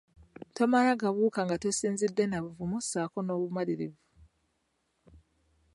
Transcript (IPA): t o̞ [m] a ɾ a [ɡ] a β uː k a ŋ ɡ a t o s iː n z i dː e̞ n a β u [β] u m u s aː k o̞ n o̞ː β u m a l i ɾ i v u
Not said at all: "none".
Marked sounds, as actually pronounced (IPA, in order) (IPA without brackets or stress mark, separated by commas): m, ɡ, v